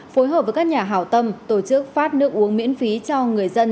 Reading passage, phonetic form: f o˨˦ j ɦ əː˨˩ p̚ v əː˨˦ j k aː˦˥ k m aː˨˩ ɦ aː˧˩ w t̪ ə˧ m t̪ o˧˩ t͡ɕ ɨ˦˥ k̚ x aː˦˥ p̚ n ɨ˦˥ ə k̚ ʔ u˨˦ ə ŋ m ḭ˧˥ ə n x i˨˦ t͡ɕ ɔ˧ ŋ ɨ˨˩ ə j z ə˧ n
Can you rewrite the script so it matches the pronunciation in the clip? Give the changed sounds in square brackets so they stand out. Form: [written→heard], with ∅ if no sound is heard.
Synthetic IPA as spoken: f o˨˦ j ɦ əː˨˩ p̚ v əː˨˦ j k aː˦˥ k [m→ɲ] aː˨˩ ɦ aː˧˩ w t̪ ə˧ m t̪ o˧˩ t͡ɕ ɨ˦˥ k̚ [x→f] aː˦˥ [p̚→t̚] n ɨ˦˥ ə k̚ ʔ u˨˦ ə ŋ m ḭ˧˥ ə n [x→f] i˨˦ t͡ɕ ɔ˧ ŋ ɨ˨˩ ə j z ə˧ n